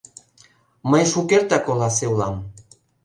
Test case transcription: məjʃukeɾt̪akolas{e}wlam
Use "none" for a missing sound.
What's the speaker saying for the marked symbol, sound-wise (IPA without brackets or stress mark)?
e